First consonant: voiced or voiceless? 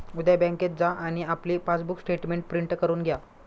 voiced